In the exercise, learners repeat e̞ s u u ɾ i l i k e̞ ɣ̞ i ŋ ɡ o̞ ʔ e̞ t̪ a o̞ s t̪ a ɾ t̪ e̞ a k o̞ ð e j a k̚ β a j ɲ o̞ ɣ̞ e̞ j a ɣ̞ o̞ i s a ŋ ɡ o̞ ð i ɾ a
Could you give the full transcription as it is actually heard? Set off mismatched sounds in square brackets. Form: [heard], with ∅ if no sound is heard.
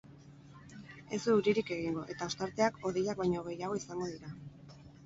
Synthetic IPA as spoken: e̞ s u u ɾ i [ɾ] i k e̞ ɣ̞ i ŋ ɡ o̞ ʔ e̞ t̪ a o̞ s t̪ a ɾ t̪ e̞ a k o̞ ð e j a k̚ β a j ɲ o̞ ɣ̞ e̞ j a ɣ̞ o̞ i s a ŋ ɡ o̞ ð i ɾ a